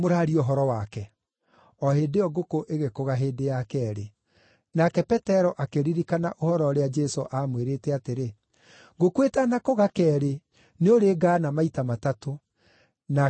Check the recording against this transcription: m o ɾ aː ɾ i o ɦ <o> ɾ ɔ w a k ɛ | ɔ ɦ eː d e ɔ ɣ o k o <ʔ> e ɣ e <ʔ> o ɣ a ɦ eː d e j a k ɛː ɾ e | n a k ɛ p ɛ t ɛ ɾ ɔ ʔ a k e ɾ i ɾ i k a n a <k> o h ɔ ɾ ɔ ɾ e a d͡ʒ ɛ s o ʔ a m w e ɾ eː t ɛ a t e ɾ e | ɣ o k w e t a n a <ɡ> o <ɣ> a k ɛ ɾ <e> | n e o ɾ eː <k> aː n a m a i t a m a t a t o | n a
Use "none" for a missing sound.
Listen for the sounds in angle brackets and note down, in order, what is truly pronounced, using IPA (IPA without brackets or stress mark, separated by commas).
ɔ, ʔ, k, ʔ, k, ɣ, e, ɡ